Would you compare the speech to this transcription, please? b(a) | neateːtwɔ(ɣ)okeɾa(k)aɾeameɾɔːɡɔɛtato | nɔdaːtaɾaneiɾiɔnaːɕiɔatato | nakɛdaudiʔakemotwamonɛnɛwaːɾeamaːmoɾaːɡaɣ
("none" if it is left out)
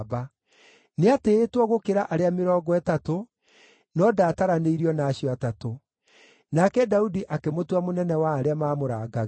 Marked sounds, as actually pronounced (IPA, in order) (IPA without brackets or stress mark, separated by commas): a, ɣ, ʔ